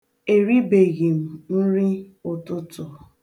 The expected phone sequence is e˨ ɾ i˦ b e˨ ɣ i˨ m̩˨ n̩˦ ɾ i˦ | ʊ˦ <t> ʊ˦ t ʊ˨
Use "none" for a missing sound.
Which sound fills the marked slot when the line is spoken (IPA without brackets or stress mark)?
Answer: t